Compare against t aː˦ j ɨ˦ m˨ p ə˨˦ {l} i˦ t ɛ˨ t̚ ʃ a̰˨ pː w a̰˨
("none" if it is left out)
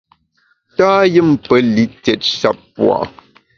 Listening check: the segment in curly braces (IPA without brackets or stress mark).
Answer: l